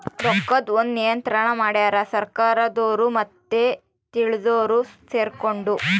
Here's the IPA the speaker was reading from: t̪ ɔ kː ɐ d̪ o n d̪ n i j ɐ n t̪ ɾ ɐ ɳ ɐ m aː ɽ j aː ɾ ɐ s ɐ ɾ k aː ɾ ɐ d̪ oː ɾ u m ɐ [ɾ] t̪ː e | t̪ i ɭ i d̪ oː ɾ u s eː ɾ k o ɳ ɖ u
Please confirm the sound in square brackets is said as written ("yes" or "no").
no